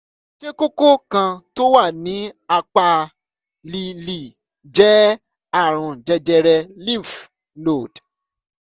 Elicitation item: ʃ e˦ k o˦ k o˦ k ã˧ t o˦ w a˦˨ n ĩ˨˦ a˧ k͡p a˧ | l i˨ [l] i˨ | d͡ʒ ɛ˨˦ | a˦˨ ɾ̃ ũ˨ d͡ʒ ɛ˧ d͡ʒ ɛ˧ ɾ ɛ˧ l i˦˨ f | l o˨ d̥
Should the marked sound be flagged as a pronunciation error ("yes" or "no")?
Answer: no